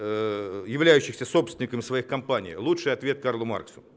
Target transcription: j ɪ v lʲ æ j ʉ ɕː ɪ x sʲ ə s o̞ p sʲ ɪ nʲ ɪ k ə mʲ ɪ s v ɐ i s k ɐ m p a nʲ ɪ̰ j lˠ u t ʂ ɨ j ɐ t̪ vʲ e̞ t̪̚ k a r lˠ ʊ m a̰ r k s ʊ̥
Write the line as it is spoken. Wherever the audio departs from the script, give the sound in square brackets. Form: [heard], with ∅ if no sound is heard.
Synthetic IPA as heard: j ɪ v lʲ æ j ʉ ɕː ɪ x sʲ ə s o̞ p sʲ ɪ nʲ ɪ k ə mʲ ɪ s v ɐ i [x] k ɐ m p a nʲ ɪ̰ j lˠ u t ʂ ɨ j ɐ t̪ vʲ e̞ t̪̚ k a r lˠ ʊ m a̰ r k s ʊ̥